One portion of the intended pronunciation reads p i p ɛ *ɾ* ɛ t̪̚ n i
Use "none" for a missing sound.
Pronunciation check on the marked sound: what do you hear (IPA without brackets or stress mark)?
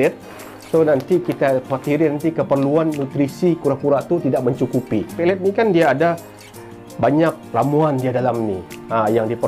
l